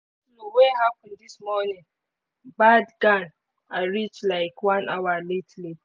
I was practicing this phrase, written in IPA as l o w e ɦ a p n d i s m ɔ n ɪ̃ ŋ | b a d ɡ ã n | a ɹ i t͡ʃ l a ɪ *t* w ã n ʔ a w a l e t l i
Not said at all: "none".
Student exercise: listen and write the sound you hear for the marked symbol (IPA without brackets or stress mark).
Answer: k